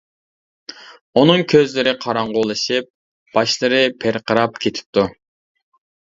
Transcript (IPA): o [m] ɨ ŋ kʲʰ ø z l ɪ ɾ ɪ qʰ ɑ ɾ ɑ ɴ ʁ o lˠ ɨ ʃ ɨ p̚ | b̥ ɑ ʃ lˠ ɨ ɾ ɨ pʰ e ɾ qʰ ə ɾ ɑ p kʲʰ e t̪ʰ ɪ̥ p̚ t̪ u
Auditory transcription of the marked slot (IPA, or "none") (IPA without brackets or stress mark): n